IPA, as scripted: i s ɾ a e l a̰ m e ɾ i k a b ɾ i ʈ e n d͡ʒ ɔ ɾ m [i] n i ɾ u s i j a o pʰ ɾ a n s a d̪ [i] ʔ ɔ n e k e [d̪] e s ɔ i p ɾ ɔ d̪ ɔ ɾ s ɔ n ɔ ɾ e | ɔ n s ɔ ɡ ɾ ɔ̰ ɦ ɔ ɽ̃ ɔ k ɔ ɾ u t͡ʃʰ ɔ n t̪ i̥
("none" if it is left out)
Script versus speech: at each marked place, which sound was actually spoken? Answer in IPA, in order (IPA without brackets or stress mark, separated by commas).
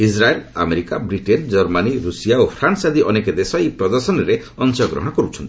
a, i, d̪